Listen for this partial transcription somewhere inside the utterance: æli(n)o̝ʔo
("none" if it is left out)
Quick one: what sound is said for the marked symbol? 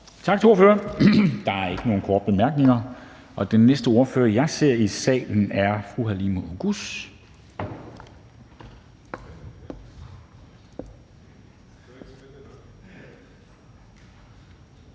m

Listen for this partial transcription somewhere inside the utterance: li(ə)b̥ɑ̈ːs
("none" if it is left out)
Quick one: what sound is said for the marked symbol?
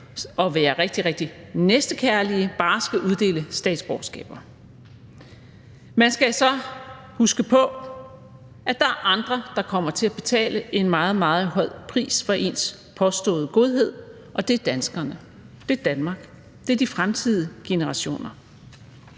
ə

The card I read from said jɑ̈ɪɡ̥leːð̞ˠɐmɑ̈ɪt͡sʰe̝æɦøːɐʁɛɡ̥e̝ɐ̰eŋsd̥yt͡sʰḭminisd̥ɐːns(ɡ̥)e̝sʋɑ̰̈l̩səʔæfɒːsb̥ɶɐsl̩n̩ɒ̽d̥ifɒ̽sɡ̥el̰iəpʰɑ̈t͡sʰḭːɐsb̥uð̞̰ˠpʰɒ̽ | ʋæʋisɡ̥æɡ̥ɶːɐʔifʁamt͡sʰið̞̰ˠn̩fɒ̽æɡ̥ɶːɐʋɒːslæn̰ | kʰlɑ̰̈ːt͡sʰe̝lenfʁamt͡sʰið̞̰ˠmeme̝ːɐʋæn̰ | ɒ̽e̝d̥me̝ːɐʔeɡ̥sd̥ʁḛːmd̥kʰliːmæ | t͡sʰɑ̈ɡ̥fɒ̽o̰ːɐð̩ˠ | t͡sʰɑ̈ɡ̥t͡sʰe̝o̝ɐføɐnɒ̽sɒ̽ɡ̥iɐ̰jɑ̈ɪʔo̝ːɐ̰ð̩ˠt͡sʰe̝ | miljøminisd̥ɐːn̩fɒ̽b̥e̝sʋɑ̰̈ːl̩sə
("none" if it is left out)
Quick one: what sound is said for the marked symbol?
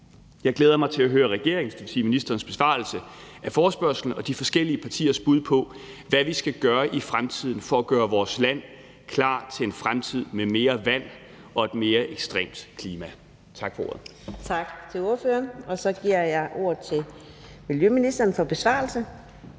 b̥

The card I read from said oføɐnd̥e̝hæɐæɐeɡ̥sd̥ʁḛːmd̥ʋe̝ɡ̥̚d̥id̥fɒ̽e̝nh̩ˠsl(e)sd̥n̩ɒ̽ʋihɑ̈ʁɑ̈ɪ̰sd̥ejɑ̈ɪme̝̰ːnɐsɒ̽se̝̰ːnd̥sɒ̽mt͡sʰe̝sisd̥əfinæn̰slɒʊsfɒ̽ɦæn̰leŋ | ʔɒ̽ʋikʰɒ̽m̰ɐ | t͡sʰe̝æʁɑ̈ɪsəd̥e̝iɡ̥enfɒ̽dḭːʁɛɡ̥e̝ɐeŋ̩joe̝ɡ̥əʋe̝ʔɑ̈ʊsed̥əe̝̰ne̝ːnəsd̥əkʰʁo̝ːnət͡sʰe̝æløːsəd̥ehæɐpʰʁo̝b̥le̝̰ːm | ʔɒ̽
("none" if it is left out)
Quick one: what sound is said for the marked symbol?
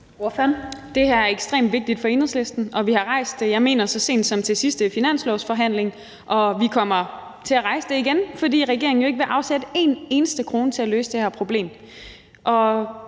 e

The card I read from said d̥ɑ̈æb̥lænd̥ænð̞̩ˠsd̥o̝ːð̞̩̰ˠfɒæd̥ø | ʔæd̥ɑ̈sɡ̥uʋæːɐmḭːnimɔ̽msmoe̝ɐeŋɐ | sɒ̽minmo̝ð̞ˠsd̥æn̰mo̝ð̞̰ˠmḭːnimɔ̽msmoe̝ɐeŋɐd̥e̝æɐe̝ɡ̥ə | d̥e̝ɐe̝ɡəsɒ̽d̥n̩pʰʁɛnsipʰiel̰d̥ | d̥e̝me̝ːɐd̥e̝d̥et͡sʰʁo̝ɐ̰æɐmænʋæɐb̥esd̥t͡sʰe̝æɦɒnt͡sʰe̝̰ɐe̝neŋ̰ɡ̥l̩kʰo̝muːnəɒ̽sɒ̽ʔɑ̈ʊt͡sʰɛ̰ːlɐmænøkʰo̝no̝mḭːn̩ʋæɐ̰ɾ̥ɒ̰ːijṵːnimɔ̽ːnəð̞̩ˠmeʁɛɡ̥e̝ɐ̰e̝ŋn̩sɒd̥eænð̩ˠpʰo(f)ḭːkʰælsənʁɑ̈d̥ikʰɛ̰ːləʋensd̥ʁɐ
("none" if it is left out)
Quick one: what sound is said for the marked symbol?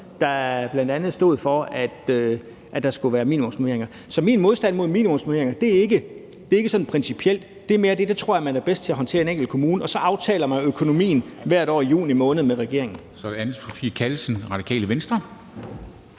f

